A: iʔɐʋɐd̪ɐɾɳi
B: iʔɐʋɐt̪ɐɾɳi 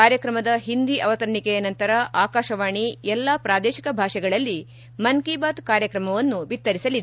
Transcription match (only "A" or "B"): B